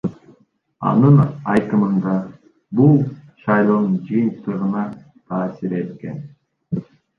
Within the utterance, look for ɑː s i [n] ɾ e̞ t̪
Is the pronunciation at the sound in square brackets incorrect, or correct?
incorrect